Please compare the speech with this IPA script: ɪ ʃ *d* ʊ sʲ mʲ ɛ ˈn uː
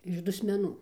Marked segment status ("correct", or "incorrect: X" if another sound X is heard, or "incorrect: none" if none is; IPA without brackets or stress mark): correct